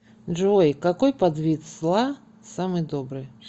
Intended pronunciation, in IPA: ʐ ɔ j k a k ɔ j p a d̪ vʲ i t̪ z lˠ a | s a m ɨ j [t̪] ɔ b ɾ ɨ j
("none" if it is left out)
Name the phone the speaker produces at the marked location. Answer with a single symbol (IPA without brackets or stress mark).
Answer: d̪